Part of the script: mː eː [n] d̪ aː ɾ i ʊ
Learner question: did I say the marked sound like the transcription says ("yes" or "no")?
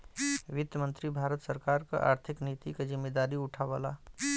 no